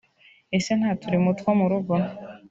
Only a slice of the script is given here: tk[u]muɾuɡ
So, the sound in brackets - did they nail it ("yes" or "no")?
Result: no